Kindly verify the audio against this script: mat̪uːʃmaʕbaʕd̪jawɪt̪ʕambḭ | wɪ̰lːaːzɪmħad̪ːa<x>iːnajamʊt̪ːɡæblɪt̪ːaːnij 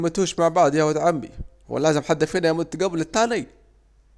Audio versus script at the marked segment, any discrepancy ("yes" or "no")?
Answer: yes